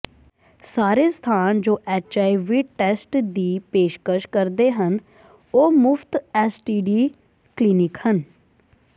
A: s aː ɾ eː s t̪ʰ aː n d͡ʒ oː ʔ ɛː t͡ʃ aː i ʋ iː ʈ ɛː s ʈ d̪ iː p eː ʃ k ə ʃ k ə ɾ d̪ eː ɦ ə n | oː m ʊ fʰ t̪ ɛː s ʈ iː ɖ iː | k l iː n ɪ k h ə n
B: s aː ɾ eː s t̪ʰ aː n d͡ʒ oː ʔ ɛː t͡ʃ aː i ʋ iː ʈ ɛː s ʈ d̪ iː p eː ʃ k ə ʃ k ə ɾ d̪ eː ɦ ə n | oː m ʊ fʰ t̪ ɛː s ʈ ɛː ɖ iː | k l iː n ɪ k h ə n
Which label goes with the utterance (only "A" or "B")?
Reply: A